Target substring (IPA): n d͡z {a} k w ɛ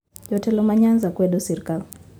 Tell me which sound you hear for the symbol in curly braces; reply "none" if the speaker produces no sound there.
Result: a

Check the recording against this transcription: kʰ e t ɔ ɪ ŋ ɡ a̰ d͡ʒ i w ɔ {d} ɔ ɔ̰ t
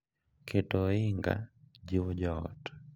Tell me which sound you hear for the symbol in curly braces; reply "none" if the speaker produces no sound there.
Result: d͡ʒ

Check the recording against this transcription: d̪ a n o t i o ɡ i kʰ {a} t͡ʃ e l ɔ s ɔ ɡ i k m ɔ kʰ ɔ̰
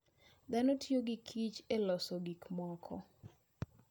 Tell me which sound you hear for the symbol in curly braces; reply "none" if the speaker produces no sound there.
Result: i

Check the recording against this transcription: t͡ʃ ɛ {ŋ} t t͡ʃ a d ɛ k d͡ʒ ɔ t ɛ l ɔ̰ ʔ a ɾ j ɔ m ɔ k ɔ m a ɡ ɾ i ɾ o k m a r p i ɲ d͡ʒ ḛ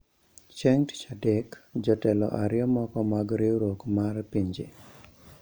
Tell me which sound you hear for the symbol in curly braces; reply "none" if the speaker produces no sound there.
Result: ŋ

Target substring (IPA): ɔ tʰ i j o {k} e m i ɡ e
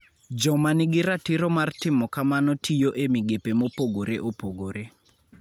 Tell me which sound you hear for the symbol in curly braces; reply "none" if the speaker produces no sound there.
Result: ʔ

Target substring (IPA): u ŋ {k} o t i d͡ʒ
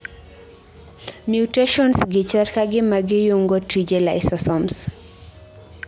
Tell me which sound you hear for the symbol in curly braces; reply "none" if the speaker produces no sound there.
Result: ɡ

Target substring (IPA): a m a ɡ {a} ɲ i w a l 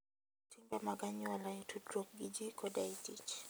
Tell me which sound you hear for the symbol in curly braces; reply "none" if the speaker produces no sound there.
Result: a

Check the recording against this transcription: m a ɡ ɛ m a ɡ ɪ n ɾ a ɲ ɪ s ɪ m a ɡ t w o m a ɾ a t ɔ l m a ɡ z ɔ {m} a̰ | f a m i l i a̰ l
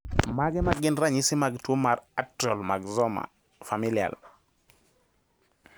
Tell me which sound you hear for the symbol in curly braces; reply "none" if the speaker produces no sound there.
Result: m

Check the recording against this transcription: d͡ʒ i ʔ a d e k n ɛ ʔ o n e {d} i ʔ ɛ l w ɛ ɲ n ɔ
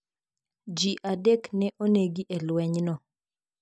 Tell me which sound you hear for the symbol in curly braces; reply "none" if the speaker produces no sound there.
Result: ɡ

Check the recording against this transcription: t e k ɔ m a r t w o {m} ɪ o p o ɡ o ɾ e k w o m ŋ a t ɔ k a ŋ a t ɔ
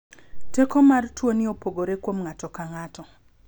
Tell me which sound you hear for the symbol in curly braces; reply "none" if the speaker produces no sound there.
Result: n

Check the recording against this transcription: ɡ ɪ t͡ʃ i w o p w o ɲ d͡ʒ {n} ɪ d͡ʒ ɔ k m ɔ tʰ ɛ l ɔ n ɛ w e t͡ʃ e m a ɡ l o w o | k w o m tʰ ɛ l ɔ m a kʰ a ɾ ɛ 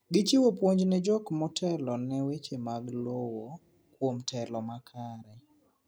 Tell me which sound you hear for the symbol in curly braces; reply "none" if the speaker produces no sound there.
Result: n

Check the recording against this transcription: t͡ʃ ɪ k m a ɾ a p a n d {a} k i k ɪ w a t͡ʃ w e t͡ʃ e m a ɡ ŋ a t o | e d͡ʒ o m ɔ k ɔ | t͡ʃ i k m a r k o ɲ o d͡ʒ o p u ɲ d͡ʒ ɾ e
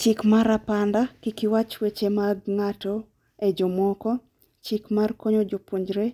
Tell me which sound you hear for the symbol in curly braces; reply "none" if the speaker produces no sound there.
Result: a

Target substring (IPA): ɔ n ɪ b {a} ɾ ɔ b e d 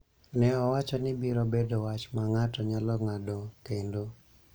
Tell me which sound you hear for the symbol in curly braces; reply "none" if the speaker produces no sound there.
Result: i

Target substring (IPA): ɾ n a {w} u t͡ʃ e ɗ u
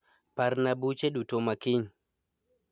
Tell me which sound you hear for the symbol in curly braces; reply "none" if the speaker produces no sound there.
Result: b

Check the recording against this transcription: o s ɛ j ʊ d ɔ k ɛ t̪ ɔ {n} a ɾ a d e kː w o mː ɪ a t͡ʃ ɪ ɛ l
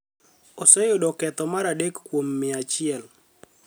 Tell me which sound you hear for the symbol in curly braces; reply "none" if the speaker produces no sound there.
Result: m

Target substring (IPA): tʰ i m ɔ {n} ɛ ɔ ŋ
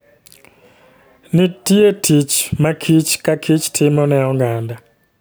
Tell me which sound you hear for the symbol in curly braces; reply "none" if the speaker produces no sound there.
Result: n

